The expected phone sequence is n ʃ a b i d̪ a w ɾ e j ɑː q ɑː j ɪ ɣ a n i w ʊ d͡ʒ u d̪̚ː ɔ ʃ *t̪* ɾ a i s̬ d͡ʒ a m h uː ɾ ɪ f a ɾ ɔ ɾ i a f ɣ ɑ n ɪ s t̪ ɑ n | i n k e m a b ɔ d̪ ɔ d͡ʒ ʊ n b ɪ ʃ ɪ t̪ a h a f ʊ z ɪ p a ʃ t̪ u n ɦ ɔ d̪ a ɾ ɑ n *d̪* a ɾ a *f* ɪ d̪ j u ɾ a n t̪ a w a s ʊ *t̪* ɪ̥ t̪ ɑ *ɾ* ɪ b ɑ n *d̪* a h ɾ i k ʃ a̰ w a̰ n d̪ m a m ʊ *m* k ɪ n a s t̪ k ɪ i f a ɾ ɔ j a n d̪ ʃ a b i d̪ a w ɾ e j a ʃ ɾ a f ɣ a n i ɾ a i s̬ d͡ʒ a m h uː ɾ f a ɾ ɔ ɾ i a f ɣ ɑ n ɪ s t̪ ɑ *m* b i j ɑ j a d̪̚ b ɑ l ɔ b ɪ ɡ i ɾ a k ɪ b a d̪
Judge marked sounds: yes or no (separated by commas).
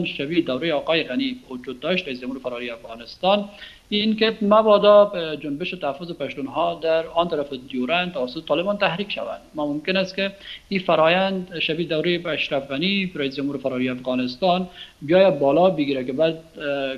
yes, no, yes, yes, no, no, yes, no